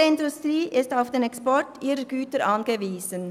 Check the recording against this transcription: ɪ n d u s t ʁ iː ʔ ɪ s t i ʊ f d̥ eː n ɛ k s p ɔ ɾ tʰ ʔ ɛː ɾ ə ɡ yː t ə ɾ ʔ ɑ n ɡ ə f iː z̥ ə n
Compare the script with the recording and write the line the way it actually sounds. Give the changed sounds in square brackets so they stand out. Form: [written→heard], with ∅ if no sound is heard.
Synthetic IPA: ɪ n d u s t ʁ iː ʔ ɪ s t [i→a] ʊ f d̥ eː n ɛ k s p ɔ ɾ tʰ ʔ [ɛː→iː] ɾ ə ɡ yː t ə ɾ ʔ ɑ n ɡ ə [f→v] iː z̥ ə n